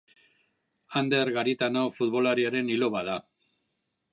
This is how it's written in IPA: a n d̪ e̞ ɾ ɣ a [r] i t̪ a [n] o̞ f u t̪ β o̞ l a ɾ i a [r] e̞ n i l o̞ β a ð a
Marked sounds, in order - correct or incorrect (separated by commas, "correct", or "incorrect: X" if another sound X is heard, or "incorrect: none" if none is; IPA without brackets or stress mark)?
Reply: incorrect: ɾ, correct, incorrect: ɾ